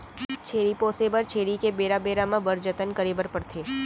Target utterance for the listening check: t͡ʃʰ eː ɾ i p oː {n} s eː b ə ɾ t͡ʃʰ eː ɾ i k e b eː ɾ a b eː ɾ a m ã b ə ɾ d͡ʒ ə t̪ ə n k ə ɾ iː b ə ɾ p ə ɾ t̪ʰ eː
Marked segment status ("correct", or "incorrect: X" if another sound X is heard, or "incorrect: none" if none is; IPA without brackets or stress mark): incorrect: none